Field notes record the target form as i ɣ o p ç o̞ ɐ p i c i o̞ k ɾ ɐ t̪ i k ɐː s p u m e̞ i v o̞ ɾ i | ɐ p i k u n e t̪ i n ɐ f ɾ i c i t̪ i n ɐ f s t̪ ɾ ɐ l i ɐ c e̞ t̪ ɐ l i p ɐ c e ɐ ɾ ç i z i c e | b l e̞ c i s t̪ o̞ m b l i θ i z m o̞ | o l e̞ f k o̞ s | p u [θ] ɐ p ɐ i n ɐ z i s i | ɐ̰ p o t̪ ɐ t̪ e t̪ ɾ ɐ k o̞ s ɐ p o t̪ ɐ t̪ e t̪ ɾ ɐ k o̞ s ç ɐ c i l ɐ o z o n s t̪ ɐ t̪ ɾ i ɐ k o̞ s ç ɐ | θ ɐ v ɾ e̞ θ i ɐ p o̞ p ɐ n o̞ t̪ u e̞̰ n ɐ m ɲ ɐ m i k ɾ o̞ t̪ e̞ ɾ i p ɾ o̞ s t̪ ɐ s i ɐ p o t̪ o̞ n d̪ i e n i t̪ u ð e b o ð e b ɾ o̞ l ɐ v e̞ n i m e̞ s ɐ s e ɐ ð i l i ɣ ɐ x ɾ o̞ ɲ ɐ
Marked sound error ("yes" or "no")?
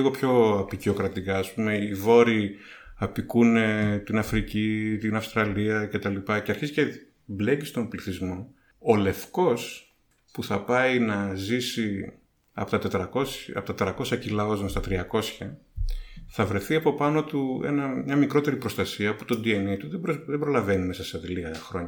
no